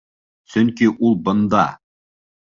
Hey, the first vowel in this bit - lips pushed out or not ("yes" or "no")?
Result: yes